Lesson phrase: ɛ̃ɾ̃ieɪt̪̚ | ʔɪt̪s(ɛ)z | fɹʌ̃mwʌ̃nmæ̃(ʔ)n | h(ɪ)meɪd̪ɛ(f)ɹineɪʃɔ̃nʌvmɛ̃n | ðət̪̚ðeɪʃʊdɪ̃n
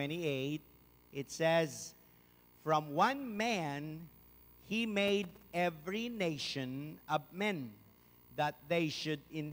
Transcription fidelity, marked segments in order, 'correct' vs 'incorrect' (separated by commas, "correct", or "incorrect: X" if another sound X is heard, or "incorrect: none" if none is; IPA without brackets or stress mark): correct, incorrect: none, incorrect: i, incorrect: v